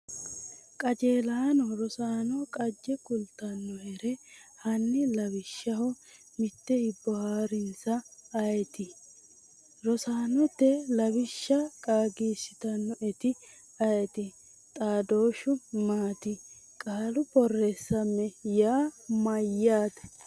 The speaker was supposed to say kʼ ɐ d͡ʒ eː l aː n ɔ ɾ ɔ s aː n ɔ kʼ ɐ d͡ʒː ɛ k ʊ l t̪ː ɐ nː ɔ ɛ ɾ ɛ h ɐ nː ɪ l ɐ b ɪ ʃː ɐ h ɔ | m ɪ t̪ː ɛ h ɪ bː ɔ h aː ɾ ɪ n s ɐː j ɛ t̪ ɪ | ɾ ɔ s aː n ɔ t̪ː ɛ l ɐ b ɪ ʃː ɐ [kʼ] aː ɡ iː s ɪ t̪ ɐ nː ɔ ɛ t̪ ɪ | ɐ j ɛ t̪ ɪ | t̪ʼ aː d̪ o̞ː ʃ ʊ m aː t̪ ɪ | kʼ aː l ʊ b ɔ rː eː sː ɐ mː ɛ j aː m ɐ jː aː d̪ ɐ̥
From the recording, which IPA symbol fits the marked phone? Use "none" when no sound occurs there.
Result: kʼ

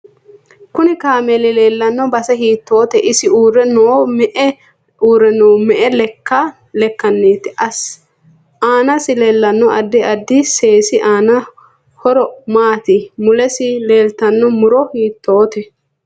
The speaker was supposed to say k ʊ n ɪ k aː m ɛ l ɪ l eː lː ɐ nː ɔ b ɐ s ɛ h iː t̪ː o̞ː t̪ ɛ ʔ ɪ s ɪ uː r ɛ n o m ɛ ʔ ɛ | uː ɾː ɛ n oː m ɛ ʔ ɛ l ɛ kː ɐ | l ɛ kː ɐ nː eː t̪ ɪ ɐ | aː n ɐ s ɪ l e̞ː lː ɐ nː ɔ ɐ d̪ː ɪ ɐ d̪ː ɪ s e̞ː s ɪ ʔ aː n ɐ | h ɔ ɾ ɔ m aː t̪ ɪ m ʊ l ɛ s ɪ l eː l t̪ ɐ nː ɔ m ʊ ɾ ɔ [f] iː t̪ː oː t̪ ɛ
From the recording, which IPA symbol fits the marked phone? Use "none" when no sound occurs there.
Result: h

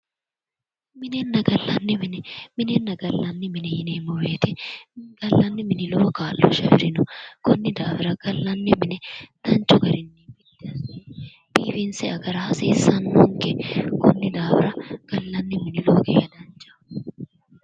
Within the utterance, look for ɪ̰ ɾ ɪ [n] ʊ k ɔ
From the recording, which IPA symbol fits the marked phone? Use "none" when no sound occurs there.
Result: n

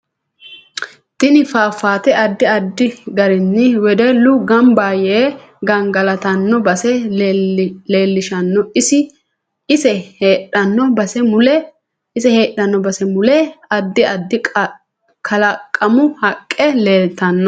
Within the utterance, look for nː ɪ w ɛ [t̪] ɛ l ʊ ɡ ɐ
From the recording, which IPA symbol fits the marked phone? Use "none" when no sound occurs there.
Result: d̪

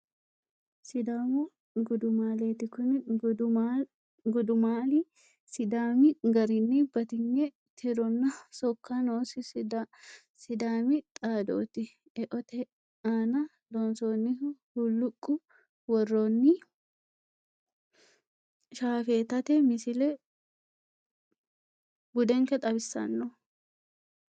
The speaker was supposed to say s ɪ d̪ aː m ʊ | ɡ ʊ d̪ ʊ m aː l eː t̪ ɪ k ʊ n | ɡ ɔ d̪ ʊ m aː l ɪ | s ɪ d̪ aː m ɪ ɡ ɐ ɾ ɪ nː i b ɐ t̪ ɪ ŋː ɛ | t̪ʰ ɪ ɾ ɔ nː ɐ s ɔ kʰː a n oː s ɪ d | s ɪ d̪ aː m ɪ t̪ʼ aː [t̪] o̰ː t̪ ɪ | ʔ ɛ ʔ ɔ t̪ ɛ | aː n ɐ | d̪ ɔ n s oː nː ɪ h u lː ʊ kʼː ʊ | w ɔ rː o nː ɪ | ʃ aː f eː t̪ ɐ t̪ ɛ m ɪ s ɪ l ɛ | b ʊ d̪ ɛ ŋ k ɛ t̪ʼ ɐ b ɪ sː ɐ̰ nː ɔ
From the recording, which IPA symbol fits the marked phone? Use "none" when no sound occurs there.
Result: d̪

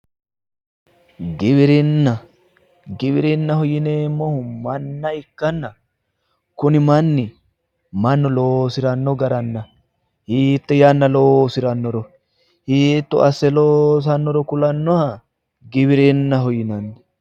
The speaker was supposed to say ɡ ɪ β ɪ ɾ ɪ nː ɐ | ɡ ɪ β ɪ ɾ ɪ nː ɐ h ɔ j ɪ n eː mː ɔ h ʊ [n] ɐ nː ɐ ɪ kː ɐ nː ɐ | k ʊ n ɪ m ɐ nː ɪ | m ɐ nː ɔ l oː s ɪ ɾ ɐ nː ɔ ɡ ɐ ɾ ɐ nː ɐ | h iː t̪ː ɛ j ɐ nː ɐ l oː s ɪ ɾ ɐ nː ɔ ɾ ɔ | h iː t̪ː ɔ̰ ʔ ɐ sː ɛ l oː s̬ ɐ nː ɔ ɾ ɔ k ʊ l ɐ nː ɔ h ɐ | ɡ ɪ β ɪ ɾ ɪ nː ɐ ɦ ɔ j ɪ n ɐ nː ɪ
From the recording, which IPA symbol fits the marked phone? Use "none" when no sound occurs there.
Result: m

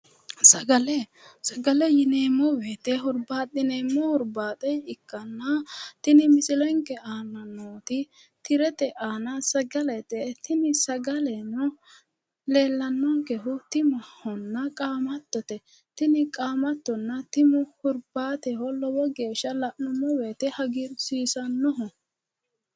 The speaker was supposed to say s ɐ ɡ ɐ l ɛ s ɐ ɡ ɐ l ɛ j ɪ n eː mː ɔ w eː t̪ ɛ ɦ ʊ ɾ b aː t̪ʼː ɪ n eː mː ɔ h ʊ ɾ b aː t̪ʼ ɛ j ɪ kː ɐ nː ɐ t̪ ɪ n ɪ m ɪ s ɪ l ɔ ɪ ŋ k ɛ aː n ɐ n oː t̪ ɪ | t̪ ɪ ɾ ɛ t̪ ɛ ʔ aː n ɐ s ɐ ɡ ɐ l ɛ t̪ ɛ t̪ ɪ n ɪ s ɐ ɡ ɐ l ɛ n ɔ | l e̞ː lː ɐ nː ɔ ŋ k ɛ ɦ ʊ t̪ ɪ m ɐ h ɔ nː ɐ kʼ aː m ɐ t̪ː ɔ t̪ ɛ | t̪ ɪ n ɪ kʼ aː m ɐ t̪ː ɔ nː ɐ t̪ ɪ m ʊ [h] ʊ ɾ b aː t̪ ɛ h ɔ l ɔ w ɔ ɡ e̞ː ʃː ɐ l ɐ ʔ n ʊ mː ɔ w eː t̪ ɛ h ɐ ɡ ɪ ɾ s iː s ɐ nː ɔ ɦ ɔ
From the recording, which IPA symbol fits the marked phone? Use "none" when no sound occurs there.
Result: h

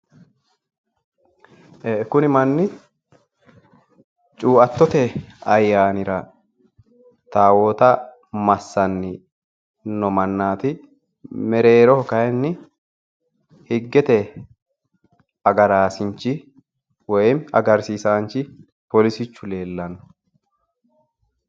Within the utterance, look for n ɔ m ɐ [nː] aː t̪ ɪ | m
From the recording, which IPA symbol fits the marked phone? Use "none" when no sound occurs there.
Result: nː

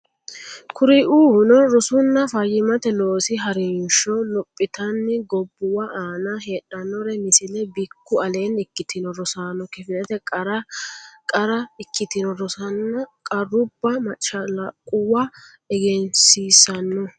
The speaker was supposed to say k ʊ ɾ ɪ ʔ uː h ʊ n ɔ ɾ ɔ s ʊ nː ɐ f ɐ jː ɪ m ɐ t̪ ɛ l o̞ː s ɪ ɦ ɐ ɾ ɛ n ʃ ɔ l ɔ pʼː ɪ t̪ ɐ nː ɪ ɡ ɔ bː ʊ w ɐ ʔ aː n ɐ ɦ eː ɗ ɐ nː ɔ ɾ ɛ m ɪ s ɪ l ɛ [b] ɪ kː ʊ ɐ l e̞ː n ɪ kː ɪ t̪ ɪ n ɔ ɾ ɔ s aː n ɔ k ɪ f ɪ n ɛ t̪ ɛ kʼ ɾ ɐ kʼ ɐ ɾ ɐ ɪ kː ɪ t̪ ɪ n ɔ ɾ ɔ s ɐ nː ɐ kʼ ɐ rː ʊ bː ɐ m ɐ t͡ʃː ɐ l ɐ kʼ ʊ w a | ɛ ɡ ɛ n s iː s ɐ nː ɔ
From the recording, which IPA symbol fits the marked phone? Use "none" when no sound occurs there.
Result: b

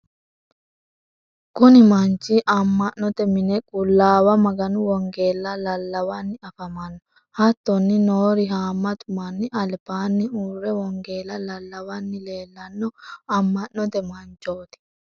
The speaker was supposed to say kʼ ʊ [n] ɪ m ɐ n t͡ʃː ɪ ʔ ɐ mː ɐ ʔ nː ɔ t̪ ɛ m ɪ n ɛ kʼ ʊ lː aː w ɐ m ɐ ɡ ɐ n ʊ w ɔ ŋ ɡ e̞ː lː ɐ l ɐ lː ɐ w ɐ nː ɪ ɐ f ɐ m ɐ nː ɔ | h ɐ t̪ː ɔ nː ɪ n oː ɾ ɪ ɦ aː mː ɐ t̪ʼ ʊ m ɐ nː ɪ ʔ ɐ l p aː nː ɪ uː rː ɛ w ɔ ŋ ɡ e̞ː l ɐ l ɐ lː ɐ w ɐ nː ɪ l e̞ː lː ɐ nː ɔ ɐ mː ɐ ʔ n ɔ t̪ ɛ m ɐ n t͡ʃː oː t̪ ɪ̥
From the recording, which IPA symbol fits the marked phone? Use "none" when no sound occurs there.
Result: n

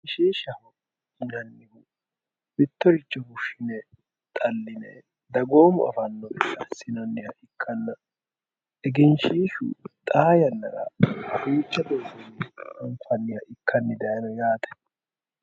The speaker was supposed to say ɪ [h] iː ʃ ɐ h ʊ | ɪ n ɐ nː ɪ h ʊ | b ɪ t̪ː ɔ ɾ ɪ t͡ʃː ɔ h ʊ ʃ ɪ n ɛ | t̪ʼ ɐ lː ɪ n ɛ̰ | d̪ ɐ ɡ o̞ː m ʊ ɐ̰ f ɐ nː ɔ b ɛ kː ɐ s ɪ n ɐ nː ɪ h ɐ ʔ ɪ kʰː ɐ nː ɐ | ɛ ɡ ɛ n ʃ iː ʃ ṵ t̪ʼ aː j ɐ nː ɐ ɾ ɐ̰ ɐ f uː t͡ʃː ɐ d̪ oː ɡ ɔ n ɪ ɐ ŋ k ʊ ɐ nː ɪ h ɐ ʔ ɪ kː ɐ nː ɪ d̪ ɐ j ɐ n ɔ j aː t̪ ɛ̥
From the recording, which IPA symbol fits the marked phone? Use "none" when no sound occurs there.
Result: ʃ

